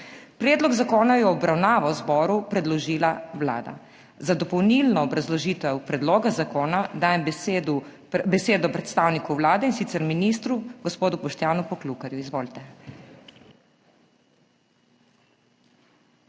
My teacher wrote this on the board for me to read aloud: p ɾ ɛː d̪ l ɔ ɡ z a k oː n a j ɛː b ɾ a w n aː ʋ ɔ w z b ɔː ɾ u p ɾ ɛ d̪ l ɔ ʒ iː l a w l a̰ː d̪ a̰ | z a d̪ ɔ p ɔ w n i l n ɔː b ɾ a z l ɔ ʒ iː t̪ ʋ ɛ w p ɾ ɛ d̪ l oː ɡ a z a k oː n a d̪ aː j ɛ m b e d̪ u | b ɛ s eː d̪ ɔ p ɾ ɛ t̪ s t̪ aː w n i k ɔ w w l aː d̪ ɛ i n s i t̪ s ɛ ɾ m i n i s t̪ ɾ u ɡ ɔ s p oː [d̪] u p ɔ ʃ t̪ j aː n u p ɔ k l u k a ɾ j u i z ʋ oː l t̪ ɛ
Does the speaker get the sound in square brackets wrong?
no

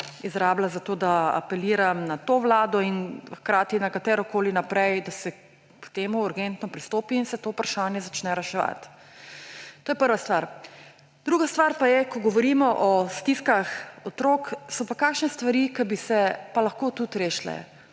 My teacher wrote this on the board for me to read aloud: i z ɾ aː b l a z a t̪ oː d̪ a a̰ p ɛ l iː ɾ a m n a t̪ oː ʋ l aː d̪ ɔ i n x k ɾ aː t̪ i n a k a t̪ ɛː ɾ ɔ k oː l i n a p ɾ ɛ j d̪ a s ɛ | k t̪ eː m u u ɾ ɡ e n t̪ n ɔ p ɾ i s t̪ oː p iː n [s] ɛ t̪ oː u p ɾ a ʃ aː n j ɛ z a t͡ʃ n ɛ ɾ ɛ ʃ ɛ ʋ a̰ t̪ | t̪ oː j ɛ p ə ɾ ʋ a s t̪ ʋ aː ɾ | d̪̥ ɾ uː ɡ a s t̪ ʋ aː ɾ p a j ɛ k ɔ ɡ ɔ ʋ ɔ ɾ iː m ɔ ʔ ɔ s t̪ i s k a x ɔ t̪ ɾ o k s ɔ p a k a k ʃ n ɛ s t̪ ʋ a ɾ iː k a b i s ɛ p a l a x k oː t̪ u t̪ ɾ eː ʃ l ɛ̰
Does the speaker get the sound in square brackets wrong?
no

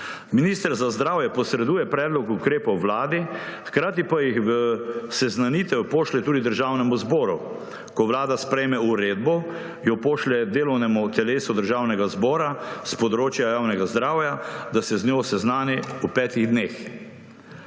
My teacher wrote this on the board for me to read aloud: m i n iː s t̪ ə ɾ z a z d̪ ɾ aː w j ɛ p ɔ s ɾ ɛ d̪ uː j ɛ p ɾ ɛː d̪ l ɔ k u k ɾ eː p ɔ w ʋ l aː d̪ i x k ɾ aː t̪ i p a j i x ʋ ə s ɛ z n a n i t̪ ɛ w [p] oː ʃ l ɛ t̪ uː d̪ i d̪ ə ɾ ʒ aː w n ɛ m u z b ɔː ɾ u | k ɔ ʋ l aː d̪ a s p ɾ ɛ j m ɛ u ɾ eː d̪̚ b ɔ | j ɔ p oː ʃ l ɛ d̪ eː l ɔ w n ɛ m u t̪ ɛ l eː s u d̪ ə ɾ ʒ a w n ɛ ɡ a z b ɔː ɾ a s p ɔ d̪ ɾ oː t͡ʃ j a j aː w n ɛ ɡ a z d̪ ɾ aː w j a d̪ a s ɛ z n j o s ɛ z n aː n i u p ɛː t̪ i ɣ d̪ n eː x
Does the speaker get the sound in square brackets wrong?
no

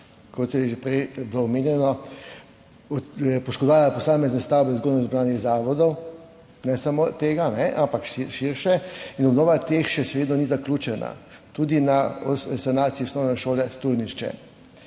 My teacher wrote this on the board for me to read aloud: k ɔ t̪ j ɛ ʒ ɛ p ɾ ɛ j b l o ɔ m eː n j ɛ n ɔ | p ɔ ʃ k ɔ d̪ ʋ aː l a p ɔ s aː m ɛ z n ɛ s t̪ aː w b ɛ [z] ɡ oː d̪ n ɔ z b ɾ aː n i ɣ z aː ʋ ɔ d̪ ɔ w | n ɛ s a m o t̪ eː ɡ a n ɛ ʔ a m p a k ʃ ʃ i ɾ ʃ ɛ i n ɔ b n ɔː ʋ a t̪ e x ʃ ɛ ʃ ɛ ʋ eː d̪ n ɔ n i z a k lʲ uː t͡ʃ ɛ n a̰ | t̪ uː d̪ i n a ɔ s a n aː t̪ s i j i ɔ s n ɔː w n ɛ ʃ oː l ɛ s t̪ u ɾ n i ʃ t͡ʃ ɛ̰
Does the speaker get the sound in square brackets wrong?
no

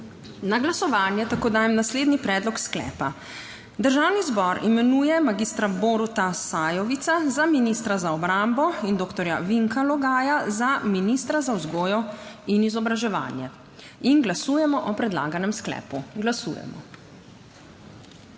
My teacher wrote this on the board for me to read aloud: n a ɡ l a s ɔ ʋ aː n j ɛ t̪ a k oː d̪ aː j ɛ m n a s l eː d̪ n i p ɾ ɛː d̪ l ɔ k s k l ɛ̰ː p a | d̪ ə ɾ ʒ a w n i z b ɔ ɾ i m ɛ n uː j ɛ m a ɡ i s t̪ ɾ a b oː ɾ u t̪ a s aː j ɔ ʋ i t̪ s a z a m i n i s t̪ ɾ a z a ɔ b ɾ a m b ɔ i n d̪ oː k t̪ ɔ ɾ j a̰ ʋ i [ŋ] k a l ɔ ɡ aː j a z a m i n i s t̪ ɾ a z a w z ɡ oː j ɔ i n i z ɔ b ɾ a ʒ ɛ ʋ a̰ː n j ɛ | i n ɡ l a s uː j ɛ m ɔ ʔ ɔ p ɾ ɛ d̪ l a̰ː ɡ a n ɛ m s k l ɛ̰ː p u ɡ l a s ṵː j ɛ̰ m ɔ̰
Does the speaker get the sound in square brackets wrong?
no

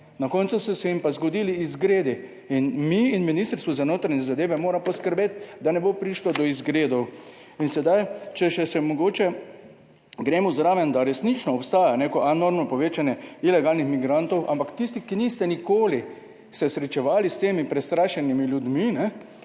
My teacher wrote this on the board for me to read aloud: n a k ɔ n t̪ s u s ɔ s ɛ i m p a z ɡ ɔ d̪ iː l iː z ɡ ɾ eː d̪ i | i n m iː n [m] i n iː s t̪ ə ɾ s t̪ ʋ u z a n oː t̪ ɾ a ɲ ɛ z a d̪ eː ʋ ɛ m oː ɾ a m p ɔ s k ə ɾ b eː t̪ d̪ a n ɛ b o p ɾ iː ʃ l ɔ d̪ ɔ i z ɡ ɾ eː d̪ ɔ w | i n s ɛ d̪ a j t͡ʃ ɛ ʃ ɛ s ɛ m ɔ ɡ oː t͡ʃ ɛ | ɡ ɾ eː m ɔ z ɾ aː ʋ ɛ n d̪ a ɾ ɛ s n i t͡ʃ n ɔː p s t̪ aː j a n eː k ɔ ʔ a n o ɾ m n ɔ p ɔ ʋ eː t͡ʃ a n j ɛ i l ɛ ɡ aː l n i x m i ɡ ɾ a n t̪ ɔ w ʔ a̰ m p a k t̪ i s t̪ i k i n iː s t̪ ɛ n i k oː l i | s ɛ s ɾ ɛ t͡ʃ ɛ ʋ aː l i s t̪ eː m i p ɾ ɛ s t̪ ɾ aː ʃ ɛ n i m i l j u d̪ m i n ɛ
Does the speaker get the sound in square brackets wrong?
no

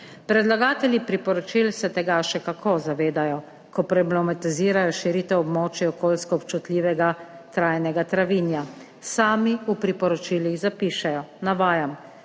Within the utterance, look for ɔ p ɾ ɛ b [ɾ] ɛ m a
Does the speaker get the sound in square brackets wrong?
yes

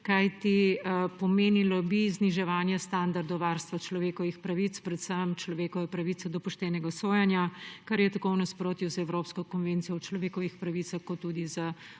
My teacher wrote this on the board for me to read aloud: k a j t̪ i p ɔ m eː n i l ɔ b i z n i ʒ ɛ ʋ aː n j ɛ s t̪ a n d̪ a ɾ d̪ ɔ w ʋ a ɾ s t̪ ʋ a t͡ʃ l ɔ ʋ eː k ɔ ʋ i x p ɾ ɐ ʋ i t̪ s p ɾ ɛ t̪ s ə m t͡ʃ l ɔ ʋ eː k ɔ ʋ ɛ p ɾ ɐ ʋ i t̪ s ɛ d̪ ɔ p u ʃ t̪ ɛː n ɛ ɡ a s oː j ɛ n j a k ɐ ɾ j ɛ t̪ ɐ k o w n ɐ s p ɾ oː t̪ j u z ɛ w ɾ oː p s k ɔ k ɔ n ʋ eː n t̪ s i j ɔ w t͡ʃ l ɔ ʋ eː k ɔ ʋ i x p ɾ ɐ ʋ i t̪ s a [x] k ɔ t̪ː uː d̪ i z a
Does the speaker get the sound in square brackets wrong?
no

